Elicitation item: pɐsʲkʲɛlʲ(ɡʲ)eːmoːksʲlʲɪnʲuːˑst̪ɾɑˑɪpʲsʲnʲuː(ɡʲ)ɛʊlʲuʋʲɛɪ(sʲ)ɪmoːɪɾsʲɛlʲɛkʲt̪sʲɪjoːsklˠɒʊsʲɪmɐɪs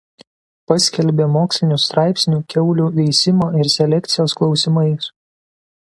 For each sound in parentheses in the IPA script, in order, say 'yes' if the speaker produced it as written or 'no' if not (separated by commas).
no, no, yes